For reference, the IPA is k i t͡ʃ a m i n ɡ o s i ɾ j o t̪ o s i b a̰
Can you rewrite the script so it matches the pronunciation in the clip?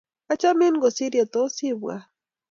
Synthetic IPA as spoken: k a t͡ʃ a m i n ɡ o s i ɾ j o t̪ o s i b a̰